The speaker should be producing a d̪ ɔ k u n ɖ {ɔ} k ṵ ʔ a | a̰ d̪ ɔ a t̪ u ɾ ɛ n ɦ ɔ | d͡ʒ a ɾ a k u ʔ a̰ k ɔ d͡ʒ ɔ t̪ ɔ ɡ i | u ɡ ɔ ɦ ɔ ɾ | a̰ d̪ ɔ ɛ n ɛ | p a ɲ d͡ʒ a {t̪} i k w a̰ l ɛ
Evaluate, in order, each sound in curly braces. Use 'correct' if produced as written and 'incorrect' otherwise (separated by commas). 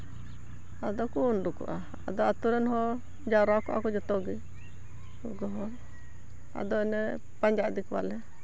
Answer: incorrect, incorrect